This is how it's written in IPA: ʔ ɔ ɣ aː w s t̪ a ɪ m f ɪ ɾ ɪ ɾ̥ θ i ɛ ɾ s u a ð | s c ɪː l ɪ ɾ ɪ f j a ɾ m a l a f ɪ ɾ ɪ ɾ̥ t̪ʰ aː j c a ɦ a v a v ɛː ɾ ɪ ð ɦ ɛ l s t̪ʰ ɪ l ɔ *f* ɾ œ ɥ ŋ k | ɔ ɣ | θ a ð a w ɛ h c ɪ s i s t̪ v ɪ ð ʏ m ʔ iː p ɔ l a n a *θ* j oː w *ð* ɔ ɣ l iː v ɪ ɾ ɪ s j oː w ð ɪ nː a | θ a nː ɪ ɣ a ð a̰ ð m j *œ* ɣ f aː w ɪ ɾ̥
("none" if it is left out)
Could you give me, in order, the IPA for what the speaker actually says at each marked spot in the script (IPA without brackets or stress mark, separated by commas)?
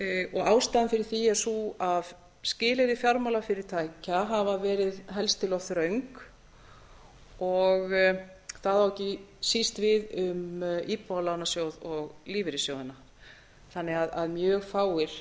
θ, s, ð, œː